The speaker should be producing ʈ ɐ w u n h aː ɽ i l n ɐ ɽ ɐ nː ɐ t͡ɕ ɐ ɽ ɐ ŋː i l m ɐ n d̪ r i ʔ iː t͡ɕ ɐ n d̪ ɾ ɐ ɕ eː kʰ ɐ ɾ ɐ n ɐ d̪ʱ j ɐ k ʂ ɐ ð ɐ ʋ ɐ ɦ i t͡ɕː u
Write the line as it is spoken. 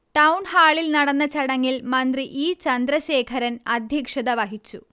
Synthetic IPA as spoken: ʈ ɐ w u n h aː ɭ i l n ɐ ɽ ɐ nː ɐ t͡ɕ ɐ ɽ ɐ ŋː i l m ɐ n d̪ r i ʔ iː t͡ɕ ɐ n d̪ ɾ ɐ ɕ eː kʰ ɐ ɾ ɐ n ɐ d̪ʱ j ɐ k ʂ ɐ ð ɐ ʋ ɐ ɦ i t͡ɕː u

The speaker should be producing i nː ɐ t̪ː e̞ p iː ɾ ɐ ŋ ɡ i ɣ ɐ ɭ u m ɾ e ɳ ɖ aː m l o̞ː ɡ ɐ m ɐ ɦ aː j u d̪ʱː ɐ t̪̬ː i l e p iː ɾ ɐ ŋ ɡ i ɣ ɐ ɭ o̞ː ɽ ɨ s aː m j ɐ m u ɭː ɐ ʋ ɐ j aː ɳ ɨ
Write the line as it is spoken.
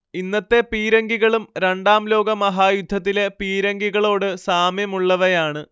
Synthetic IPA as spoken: i nː ɐ t̪ː e̞ p iː ɾ ɐ ŋ ɡ i ɣ ɐ ɭ u m ɾ e ɳ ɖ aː m l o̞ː ɡ ɐ m ɐ ɦ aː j u d̪ʱː ɐ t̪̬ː i l e p iː ɾ ɐ ŋ ɡ i ɣ ɐ ɭ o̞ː ɽ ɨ s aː m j ɐ m u ɭː ɐ ʋ ɐ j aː ɳ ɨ

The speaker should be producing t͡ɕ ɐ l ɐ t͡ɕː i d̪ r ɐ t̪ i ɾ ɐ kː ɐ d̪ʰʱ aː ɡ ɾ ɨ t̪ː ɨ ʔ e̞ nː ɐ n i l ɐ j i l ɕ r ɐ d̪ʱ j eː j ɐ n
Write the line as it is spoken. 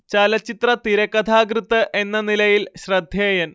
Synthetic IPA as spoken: t͡ɕ ɐ l ɐ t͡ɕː i t̪ r ɐ t̪ i ɾ ɐ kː ɐ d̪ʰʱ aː ɡ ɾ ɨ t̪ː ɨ ʔ e̞ nː ɐ n i l ɐ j i l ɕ r ɐ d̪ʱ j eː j ɐ n

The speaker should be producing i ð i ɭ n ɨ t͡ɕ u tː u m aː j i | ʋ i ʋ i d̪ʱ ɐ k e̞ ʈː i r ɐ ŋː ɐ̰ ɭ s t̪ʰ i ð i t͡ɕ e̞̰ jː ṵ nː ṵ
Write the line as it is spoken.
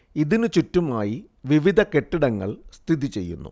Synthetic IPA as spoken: i ð i n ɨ t͡ɕ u tː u m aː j i | ʋ i ʋ i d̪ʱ ɐ k e̞ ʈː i ɽ ɐ ŋː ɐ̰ ɭ s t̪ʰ i ð i t͡ɕ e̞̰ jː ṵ nː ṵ

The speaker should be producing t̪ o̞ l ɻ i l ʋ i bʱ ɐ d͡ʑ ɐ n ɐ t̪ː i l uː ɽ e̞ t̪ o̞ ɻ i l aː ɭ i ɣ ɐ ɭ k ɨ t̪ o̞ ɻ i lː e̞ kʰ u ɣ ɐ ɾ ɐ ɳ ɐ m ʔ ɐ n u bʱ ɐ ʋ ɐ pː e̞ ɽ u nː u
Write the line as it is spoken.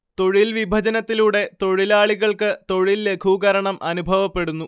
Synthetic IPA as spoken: t̪ o̞ ɻ i l ʋ i bʱ ɐ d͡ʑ ɐ n ɐ t̪ː i l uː ɽ e̞ t̪ o̞ ɻ i l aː ɭ i ɣ ɐ ɭ k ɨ t̪ o̞ ɻ i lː e̞ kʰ u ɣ ɐ ɾ ɐ ɳ ɐ m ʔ ɐ n u bʱ ɐ ʋ ɐ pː e̞ ɽ u nː u

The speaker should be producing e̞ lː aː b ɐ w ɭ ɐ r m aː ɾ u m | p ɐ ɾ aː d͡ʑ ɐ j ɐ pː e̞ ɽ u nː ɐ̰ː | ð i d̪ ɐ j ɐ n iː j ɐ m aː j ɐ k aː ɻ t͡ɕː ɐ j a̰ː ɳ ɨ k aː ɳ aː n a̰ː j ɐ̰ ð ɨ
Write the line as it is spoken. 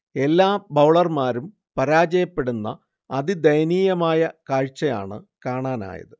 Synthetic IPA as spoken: e̞ lː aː b ɐ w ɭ ɐ r m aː ɾ u m | p ɐ ɾ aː d͡ʑ ɐ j ɐ pː e̞ ɽ u nː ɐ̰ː | ð i d̪ ɐ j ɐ n iː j ɐ m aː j ɐ k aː ɻ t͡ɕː ɐ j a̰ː ɳ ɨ k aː ɳ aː n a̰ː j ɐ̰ ð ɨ

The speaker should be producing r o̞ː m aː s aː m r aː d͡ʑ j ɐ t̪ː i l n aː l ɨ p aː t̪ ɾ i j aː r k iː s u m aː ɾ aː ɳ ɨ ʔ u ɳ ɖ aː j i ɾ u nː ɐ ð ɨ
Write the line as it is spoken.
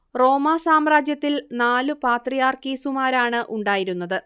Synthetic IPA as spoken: r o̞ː m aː s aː m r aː d͡ʑ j ɐ t̪ː i l n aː l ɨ p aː t̪ r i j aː r k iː s u m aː ɾ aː ɳ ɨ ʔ u ɳ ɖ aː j i ɾ u nː ɐ ð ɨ

